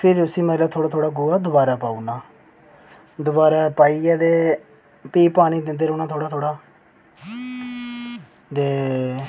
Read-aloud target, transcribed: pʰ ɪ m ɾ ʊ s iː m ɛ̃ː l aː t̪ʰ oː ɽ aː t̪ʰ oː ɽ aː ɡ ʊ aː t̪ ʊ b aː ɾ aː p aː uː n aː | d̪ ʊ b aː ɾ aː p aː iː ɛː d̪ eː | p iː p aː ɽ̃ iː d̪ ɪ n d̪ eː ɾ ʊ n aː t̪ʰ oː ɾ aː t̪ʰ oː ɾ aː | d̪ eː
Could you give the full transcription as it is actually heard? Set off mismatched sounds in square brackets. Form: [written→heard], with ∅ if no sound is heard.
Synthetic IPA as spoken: pʰ ɪ [m→∅] ɾ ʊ s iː m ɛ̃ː l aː t̪ʰ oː ɽ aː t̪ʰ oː ɽ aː ɡ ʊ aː [t̪→d̪] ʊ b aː ɾ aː p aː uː n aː | d̪ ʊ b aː ɾ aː p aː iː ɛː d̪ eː | p iː p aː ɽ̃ iː d̪ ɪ n d̪ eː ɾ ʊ n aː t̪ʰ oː [ɾ→ɽ] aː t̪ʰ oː [ɾ→ɽ] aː | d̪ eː